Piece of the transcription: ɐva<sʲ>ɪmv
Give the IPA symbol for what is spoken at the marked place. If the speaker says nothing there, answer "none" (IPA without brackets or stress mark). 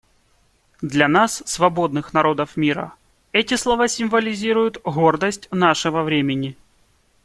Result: sʲ